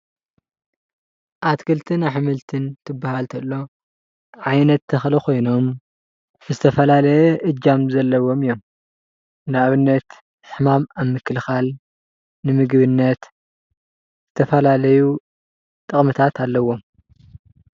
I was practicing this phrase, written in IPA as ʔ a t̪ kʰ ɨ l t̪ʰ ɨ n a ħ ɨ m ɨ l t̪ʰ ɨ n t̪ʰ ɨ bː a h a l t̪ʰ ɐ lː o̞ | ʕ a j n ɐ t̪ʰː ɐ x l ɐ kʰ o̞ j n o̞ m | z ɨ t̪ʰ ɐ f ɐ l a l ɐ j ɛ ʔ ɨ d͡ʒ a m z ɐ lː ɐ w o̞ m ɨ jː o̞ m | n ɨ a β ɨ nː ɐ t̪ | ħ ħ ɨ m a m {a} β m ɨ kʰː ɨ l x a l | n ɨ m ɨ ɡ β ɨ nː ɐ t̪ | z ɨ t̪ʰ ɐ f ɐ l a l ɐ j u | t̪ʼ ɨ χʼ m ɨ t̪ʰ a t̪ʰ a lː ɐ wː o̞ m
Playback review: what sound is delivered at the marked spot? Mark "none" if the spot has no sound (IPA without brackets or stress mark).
a